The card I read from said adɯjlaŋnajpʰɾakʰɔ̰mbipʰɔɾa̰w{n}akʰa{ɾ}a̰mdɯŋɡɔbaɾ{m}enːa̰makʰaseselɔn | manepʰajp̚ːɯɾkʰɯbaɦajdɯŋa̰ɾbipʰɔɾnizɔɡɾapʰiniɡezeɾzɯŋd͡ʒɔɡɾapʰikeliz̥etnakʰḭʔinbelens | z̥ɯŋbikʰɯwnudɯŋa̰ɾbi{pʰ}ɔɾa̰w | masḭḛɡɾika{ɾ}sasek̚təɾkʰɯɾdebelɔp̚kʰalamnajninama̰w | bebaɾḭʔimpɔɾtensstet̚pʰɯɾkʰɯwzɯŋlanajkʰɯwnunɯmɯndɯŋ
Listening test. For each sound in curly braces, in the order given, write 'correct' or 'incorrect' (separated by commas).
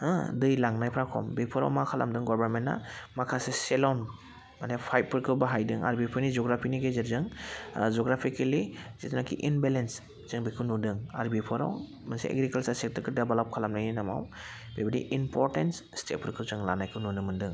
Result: incorrect, incorrect, correct, correct, incorrect